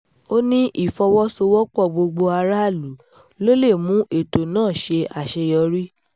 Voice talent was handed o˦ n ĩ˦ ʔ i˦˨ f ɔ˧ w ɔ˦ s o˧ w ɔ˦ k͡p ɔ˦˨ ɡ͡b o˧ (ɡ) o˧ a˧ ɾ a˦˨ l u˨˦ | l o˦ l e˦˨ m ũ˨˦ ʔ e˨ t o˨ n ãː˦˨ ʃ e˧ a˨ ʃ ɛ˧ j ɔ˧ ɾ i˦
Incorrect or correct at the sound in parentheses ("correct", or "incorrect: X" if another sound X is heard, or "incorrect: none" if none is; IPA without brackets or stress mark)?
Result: incorrect: ɡ͡b